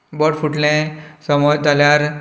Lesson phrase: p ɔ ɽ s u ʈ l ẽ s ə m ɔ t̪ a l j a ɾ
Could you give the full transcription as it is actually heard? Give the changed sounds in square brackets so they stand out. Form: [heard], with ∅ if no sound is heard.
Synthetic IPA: [b] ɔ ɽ [f] u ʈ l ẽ s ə m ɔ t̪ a l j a ɾ